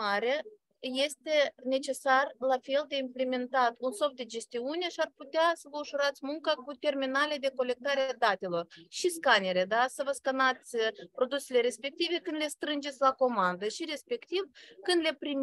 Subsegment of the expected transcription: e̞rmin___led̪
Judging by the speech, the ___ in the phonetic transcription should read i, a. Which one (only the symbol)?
a